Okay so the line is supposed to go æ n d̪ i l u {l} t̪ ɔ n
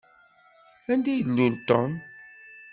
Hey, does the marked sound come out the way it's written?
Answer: yes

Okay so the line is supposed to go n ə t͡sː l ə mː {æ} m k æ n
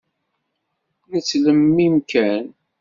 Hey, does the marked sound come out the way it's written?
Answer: no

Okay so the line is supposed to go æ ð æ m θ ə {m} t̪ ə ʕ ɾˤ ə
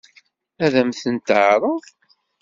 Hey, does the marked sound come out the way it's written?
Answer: no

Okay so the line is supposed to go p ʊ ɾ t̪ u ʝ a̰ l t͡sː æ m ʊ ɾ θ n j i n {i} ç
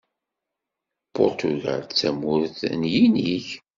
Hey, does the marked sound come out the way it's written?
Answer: yes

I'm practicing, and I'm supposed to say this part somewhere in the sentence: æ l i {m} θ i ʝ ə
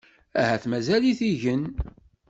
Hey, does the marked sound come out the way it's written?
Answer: no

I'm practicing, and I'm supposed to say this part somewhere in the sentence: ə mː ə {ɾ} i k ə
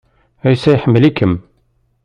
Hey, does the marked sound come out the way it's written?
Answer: no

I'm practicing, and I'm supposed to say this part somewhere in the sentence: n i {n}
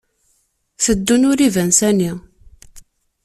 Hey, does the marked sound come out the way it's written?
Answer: no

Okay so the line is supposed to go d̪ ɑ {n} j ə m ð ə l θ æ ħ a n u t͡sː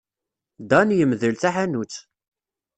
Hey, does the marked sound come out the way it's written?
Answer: yes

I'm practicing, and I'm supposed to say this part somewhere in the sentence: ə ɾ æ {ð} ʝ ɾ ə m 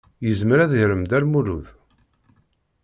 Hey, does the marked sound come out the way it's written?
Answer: yes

